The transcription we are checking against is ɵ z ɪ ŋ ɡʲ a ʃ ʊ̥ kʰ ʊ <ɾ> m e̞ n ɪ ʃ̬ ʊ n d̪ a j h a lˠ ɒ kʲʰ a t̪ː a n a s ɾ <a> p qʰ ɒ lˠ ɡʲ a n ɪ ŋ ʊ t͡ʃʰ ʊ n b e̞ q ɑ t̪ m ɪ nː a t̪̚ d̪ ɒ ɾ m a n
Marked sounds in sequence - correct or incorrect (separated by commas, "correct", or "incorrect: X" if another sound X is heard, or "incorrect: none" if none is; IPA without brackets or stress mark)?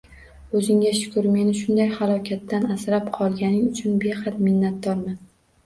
correct, correct